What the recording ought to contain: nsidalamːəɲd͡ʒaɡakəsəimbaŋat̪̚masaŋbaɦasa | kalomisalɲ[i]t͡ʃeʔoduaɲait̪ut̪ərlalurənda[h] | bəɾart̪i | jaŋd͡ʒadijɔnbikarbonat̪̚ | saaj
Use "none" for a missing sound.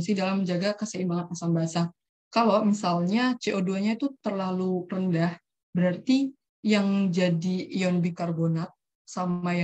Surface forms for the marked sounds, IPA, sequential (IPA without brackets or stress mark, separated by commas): a, h